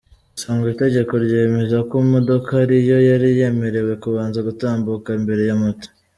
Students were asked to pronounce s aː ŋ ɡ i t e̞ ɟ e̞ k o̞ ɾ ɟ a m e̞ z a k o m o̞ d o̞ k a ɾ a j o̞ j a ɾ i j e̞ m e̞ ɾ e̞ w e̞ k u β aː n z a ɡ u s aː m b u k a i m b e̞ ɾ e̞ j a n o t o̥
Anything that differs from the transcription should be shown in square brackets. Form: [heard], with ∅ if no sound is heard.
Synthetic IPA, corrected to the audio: s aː ŋ ɡ i t e̞ ɟ e̞ k o̞ ɾ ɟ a m e̞ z a k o m o̞ d o̞ k a ɾ [i] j o̞ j a ɾ i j e̞ m e̞ ɾ e̞ w e̞ k u β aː n z a ɡ u [t] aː m b u k a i m b e̞ ɾ e̞ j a [m] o t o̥